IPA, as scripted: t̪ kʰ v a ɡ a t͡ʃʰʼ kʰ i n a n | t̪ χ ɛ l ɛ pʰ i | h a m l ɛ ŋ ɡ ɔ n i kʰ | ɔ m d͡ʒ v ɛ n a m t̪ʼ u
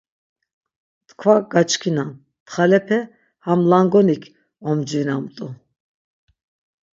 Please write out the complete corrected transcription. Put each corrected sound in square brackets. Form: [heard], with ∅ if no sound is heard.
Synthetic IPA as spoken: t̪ kʰ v a ɡ a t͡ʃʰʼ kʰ i n a n | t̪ χ [a] l ɛ pʰ [ɛ] | h a m l [a] ŋ ɡ ɔ n i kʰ | ɔ m d͡ʒ v [i] n a m t̪ʼ u